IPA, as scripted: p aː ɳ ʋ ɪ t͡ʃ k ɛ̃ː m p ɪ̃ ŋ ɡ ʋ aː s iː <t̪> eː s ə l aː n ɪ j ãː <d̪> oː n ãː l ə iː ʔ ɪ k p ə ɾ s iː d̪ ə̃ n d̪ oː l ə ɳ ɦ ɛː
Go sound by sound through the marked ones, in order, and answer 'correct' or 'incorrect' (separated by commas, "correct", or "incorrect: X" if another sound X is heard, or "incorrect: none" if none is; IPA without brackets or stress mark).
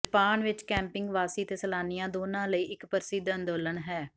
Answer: correct, correct